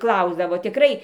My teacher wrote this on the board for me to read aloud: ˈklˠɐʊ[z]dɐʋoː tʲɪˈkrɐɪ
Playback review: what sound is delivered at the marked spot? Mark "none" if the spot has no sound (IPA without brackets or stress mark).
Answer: z